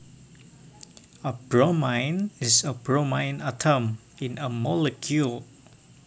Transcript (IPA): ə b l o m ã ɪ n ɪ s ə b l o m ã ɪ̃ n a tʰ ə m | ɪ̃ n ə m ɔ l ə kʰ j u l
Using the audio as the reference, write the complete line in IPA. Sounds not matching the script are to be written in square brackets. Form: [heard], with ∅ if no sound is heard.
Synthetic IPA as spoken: ə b [ɹ] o m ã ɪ n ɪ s ə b [ɹ] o m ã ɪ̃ n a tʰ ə m | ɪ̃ n ə m ɔ l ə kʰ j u l